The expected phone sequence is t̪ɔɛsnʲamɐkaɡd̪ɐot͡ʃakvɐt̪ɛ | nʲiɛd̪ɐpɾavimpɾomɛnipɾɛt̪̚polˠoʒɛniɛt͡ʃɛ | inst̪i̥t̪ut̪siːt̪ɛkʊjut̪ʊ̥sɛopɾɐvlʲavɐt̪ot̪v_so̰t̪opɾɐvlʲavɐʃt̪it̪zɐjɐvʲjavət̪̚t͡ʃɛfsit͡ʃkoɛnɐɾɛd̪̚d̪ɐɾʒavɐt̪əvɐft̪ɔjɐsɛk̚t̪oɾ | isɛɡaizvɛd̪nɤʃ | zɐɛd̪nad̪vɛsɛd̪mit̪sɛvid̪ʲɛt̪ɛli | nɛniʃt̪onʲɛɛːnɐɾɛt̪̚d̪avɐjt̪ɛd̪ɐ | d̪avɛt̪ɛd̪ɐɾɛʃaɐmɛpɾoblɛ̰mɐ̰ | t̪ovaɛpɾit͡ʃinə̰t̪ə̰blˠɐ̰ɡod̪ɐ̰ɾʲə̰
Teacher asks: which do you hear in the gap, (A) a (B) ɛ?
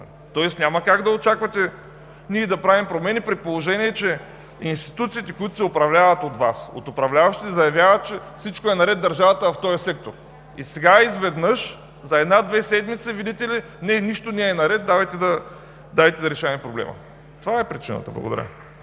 A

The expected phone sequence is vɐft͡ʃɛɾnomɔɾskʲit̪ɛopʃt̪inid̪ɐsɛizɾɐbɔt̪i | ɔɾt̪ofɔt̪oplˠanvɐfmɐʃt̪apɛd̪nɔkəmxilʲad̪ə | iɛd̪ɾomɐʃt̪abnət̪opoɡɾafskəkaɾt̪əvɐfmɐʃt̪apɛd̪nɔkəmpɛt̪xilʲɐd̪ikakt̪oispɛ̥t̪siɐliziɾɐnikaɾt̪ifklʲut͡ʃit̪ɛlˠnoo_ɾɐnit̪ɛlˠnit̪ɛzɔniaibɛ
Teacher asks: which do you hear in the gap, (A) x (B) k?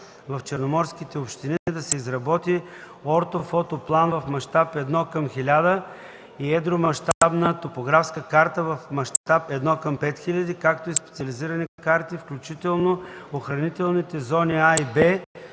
A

